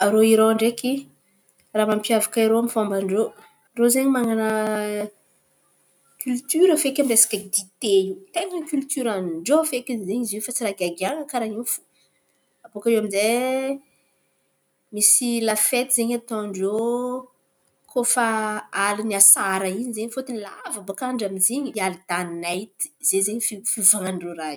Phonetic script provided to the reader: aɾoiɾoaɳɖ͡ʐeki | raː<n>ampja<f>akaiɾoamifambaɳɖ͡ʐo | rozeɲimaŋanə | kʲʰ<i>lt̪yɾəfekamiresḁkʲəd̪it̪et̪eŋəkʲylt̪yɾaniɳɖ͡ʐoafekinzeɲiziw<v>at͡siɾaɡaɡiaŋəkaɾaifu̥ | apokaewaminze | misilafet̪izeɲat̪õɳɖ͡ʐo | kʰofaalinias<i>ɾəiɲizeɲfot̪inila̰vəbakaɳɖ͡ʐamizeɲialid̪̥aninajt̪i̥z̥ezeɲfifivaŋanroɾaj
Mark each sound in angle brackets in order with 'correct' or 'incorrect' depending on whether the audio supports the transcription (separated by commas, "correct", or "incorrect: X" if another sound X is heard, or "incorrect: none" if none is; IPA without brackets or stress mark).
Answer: incorrect: m, incorrect: v, incorrect: y, incorrect: f, incorrect: a